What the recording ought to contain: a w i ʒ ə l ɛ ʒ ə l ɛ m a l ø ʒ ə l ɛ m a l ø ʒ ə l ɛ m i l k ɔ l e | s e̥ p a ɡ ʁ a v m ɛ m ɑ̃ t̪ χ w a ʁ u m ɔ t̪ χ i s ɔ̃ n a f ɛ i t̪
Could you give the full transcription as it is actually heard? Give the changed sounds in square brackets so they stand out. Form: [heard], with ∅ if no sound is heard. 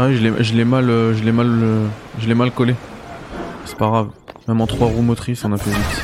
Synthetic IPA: a w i ʒ ə l ɛ ʒ ə l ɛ m a l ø ʒ ə l ɛ m a l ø ʒ ə l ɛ m [a] l k ɔ l e | s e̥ p a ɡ ʁ a v m ɛ m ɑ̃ t̪ χ w a ʁ u m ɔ t̪ χ i s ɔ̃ n a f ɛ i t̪